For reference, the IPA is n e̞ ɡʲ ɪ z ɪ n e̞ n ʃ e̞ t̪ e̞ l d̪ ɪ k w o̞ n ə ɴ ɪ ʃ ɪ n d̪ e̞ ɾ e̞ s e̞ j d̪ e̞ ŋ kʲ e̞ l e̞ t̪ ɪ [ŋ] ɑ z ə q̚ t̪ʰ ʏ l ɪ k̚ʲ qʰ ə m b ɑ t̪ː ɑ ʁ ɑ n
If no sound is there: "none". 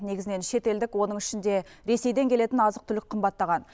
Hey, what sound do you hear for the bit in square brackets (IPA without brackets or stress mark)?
n